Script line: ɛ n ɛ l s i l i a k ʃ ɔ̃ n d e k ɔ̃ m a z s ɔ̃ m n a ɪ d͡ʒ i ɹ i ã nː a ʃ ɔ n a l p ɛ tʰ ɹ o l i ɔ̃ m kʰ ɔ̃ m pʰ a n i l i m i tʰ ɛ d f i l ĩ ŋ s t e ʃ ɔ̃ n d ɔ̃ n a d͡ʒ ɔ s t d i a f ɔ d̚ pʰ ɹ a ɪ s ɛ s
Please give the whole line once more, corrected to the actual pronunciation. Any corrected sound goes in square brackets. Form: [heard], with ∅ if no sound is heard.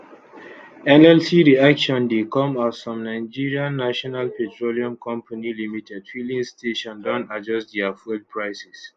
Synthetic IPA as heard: ɛ n ɛ l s i [ɹ] i a k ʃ ɔ̃ n d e k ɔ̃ m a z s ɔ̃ m n a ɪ d͡ʒ i ɹ i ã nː a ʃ ɔ n a l p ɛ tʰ ɹ o l i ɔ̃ m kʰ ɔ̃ m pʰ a n i l i m i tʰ ɛ d f i l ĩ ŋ s t e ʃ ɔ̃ n d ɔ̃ n a d͡ʒ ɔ s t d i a f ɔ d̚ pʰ ɹ a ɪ s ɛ s